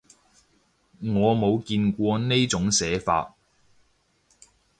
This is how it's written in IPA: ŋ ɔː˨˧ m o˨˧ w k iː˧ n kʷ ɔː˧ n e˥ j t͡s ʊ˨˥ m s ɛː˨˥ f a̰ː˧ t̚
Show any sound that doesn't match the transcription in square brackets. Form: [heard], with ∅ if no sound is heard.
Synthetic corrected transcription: ŋ ɔː˨˧ m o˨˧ w k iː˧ n kʷ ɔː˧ n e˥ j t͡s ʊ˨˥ [ŋ] s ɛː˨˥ f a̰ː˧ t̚